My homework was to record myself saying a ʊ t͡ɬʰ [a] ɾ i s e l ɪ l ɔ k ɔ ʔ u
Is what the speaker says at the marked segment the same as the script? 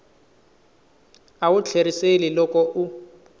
no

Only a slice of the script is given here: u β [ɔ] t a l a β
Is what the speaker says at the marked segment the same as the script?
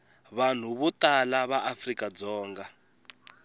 no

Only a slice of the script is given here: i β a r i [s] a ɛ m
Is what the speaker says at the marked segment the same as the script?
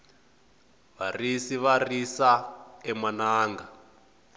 yes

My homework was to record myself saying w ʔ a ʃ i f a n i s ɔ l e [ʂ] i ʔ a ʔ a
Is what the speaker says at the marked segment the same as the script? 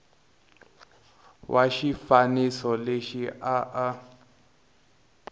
no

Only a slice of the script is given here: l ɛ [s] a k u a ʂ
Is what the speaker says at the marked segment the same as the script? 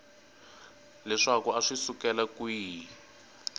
no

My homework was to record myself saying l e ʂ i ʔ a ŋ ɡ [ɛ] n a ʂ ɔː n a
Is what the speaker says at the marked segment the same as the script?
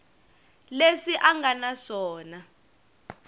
no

